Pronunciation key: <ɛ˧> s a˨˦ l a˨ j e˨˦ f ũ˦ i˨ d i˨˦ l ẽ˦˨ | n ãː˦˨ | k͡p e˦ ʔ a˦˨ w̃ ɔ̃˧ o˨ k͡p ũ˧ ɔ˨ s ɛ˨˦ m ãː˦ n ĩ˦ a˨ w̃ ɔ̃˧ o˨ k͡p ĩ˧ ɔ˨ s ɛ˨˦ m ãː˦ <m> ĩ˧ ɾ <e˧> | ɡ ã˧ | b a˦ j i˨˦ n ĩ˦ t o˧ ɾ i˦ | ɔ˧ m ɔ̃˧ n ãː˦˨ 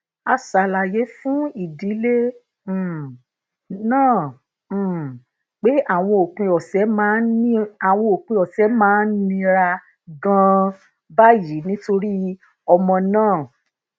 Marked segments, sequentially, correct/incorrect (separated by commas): incorrect, incorrect, incorrect